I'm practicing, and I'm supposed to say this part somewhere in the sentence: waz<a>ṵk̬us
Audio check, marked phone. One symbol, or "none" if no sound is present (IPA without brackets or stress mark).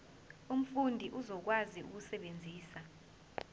i